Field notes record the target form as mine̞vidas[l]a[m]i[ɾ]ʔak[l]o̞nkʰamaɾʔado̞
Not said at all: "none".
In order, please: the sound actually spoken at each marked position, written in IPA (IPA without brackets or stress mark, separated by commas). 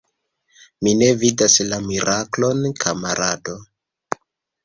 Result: l, m, ɾ, l